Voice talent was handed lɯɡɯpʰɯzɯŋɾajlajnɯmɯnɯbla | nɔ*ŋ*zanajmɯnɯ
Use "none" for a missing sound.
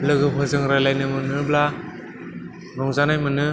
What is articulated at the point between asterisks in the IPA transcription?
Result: ŋ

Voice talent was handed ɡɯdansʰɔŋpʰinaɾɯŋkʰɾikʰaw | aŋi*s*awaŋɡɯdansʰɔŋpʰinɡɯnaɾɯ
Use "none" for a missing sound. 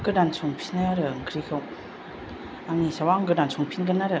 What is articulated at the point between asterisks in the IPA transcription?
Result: s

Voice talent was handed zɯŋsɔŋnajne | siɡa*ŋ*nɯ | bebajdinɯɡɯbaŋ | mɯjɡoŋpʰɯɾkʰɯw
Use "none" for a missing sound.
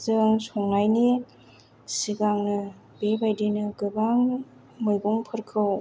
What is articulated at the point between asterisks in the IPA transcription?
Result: ŋ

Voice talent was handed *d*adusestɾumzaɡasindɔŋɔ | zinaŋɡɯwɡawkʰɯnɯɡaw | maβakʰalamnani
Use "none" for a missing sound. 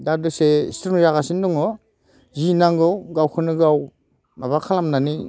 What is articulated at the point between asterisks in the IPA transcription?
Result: d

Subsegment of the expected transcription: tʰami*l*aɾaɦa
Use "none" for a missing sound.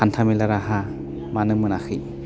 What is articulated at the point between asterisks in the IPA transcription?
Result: l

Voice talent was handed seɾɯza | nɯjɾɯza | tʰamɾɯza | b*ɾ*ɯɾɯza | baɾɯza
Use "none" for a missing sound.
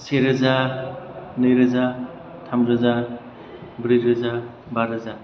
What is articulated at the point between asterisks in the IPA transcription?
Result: ɾ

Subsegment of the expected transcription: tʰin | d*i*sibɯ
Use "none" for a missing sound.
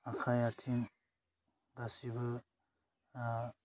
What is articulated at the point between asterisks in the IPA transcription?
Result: a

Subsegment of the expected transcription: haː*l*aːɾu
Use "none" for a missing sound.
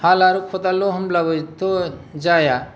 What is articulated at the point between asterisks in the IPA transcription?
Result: l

